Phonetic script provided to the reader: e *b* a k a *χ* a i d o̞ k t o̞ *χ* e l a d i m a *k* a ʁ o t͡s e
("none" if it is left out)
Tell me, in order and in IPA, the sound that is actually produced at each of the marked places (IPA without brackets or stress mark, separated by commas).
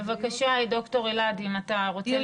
v, ʃ, ʁ, t